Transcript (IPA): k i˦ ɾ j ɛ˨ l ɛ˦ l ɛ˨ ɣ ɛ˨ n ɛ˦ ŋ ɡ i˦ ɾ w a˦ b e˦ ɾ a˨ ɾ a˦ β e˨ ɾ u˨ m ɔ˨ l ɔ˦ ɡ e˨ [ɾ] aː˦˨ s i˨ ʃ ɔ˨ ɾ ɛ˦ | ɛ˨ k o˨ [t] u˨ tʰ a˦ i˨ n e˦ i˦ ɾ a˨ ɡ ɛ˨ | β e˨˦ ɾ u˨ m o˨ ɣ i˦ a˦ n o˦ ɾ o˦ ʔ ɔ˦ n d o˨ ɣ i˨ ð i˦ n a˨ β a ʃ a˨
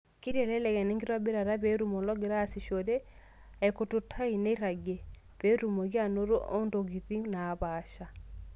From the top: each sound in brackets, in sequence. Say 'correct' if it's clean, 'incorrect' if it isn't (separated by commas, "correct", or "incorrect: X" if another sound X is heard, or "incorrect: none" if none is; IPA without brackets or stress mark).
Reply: correct, correct